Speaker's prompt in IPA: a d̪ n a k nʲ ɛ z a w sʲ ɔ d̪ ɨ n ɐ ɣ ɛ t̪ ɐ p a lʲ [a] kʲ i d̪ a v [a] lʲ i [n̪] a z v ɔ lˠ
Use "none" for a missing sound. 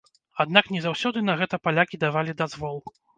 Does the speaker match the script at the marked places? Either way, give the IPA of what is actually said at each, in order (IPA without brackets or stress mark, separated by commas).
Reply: a, a, d̪